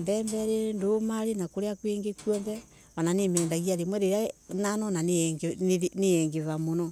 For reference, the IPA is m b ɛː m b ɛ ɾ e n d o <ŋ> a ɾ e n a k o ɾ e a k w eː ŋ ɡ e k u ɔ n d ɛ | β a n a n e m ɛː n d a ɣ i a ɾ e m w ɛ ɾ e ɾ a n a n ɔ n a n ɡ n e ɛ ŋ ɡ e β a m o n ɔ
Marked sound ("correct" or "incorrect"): incorrect